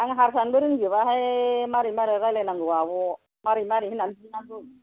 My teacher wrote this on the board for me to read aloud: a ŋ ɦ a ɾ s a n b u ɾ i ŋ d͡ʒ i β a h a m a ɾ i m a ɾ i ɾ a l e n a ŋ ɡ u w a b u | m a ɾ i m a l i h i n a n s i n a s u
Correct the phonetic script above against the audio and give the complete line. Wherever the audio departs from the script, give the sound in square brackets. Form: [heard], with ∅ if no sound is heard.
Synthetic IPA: a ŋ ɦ a ɾ s a n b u ɾ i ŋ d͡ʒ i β a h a m a ɾ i m a ɾ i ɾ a l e n a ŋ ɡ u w a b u | m a ɾ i m a [ɾ] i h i n a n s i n a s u